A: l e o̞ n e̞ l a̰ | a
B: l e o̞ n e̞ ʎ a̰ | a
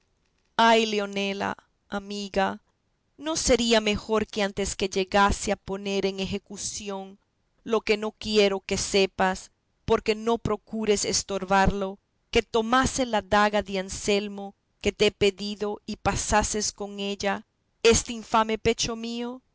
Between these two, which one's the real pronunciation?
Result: A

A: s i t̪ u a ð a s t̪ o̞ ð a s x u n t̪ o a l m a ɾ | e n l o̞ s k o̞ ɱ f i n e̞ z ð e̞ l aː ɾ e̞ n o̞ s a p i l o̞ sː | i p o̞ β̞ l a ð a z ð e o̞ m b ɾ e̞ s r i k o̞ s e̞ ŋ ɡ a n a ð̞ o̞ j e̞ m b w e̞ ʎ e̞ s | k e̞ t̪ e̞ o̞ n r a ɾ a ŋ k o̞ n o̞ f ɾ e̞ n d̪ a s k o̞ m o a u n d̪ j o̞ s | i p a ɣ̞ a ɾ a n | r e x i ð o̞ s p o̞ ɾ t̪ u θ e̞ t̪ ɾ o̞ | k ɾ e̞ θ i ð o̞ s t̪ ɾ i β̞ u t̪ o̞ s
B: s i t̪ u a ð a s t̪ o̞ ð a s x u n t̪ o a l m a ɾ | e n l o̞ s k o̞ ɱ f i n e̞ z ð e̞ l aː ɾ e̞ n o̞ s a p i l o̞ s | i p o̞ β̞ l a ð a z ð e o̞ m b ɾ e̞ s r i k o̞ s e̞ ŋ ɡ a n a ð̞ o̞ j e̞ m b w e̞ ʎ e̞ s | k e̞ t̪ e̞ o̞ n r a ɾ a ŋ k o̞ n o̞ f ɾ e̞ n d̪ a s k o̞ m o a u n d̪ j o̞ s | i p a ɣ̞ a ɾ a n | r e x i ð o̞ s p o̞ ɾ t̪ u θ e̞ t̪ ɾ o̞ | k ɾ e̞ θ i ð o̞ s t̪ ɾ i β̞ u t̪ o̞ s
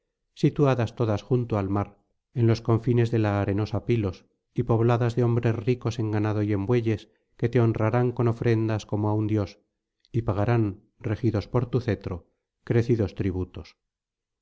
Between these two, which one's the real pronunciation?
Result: B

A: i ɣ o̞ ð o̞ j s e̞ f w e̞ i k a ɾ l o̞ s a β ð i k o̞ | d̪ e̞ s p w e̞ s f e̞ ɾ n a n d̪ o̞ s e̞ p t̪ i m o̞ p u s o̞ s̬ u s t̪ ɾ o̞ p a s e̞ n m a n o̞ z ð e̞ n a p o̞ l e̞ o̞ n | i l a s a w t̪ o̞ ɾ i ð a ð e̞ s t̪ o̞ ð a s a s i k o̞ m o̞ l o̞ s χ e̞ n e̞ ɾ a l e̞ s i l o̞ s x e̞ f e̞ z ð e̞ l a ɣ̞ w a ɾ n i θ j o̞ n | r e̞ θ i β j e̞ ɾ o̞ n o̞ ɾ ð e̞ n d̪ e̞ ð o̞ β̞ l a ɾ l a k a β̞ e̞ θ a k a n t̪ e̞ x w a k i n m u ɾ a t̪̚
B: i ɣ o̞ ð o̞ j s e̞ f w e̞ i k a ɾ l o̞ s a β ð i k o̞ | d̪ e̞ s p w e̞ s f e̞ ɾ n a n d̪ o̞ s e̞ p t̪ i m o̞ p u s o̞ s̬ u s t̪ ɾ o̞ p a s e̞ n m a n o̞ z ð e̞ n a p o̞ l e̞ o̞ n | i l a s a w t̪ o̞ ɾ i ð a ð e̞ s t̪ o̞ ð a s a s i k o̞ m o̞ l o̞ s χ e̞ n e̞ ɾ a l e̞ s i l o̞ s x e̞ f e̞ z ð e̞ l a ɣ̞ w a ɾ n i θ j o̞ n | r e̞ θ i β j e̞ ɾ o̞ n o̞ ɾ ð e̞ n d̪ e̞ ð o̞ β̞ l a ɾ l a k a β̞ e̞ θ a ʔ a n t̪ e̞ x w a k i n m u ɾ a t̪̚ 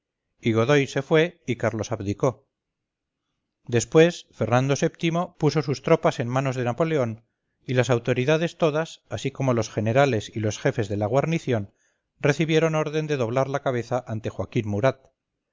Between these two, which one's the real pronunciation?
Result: B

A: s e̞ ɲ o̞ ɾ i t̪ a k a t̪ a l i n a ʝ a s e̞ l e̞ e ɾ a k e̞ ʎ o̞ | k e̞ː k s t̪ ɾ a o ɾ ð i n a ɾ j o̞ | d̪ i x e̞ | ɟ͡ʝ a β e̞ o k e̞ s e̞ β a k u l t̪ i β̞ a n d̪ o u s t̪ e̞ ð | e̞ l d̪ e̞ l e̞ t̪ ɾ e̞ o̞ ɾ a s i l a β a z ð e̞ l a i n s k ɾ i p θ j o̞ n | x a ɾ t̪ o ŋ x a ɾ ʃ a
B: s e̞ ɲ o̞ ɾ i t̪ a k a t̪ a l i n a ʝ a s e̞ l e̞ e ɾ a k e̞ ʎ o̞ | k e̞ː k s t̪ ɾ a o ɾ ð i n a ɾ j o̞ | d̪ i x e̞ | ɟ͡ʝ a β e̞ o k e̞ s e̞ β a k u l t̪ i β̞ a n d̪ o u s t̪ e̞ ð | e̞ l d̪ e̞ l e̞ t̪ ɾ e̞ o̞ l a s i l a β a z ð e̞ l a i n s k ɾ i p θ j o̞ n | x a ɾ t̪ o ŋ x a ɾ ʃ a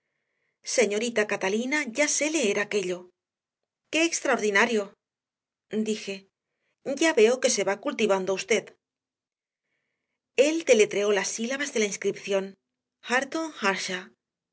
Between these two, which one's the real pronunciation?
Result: B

